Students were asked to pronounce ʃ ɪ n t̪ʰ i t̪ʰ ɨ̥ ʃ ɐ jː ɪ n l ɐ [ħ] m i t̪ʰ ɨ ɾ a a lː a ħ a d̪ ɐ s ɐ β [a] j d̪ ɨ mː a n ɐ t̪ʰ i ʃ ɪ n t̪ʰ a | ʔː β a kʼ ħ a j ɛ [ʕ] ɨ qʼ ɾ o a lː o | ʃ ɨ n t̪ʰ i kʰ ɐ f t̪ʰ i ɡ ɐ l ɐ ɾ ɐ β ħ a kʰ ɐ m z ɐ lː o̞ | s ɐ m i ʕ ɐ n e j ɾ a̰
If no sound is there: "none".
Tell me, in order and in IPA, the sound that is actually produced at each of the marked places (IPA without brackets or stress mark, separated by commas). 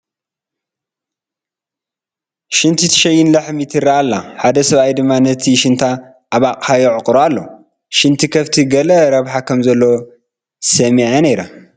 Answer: ħ, a, ʕ